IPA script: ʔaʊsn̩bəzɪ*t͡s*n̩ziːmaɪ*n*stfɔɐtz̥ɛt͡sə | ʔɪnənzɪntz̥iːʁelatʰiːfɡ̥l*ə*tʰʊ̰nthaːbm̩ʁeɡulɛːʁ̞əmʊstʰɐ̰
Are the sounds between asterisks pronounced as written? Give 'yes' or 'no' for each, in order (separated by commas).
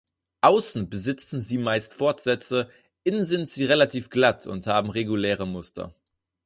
yes, no, no